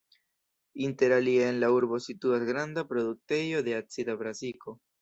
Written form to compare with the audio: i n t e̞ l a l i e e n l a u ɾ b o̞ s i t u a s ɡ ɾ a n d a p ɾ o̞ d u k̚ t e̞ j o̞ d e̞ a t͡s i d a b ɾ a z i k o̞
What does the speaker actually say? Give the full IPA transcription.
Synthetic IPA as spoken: i n t e̞ ɾ a l i e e n l a u ɾ b o̞ s i t u a s ɡ ɾ a n d a p ɾ o̞ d u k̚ t e̞ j o̞ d e̞ a t͡s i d a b ɾ a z i k o̞